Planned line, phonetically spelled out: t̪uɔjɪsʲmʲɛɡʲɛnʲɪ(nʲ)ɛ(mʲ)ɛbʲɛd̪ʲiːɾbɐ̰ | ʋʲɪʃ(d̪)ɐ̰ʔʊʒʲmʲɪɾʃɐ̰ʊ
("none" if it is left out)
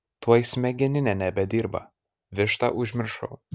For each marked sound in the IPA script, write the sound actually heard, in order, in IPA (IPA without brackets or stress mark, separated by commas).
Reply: nʲ, nʲ, t̪